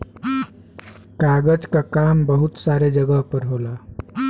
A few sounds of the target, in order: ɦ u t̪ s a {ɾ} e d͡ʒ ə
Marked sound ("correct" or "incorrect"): correct